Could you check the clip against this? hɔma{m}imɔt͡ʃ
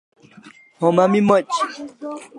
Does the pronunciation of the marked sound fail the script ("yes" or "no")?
no